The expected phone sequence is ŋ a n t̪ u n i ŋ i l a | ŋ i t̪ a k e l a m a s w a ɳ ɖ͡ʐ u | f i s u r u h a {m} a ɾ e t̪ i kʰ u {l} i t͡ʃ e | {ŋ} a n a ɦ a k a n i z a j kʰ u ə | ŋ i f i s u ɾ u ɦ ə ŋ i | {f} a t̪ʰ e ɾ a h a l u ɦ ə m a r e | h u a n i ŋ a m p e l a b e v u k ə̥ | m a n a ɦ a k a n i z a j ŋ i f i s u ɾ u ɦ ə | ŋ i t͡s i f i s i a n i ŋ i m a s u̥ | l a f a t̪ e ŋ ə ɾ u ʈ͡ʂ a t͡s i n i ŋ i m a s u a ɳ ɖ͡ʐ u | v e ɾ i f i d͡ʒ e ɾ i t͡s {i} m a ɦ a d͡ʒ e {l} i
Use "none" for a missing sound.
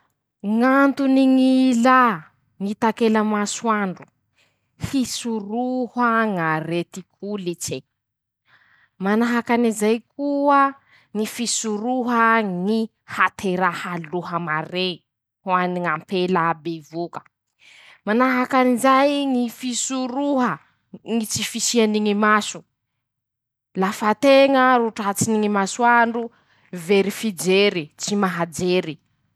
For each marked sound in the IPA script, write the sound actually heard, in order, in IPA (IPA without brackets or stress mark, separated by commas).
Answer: ŋ, l, m, h, i, ɾ